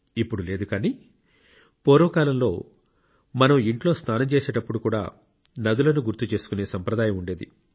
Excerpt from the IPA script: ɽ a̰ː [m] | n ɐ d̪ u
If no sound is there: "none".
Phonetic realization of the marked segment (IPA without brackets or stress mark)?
none